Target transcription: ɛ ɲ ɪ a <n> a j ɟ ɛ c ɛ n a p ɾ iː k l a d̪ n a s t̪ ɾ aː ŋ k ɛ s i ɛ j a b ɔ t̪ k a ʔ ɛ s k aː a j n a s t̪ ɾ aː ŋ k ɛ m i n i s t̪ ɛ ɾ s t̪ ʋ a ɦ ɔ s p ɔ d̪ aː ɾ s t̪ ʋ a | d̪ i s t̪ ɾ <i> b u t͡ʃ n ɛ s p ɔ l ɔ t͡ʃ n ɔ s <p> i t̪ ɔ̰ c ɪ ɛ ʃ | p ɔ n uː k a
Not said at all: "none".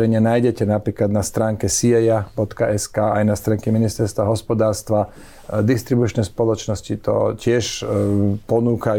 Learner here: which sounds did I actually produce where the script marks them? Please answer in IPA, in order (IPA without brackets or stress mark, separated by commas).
n, i, c